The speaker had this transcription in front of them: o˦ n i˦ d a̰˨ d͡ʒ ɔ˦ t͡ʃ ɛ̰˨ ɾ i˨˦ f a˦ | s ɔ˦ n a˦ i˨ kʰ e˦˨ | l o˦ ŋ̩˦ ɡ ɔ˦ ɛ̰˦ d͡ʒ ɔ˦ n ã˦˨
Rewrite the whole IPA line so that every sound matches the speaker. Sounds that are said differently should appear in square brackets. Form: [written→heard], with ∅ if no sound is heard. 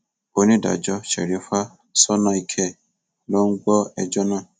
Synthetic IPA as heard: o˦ n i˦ d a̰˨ d͡ʒ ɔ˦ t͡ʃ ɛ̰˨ ɾ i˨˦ f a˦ | s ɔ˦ n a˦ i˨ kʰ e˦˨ | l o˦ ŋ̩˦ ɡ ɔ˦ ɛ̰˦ d͡ʒ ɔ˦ n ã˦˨